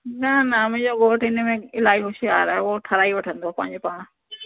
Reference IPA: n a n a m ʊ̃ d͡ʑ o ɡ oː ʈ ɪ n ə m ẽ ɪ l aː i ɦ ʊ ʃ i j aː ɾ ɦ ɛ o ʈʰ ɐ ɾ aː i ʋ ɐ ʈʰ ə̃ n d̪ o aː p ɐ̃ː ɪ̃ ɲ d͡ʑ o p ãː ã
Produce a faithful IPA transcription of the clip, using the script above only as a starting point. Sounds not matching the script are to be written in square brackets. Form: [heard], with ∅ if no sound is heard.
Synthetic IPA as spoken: n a n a m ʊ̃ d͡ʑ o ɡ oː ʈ ɪ n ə m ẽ ɪ l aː i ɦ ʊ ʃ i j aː ɾ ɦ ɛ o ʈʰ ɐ ɾ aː i ʋ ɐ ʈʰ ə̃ n d̪ o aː p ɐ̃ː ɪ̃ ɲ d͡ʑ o p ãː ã